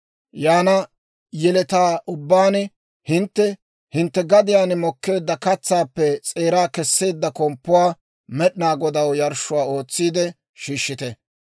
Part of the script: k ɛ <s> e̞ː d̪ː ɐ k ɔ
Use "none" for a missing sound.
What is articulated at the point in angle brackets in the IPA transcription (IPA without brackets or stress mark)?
sː